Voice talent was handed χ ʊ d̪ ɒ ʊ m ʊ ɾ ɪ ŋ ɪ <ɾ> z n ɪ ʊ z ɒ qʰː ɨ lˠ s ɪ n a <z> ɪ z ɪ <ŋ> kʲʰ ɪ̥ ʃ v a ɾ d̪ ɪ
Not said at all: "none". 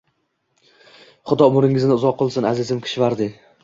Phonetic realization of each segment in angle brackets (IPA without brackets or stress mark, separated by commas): none, z, m